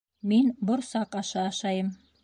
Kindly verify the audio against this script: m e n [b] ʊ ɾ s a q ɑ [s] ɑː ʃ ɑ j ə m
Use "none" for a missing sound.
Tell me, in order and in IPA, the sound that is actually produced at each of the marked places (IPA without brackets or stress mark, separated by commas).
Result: b, ʃ